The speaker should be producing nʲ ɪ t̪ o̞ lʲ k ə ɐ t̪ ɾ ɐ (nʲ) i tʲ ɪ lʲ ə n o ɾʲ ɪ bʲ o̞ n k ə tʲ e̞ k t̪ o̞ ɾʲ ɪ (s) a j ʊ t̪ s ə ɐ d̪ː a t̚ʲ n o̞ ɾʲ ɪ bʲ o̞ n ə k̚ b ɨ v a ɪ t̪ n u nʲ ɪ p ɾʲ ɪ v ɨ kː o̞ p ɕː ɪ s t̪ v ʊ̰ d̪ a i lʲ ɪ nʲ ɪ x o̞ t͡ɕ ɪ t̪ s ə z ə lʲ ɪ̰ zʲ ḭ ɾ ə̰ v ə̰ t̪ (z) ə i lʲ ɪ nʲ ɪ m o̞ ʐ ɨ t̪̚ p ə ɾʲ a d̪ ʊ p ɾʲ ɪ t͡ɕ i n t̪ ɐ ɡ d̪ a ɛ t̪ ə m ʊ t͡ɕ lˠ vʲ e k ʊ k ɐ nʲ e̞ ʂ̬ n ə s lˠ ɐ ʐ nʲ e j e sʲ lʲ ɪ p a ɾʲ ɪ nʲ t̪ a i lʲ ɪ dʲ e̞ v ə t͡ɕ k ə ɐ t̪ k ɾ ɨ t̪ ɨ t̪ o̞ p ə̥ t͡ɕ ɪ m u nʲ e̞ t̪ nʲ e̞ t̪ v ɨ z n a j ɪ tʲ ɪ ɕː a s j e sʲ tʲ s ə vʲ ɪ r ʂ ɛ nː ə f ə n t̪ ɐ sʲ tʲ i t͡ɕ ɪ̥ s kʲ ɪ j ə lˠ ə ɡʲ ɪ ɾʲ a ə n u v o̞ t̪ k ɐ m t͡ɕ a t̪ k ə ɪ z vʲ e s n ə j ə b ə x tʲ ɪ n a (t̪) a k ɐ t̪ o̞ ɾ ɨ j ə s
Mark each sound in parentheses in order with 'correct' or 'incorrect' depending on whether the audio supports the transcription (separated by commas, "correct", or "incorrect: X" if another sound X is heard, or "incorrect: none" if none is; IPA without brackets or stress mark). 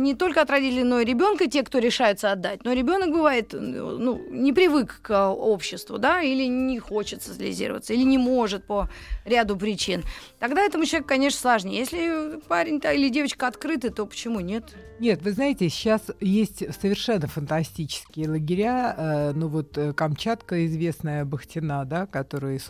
incorrect: dʲ, incorrect: ʂ, incorrect: s, incorrect: d̪